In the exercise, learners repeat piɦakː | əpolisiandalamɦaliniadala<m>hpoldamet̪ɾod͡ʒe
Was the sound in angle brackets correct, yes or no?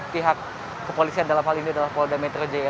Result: no